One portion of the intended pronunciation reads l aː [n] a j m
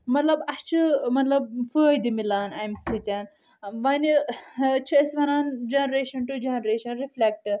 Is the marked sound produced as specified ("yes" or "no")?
yes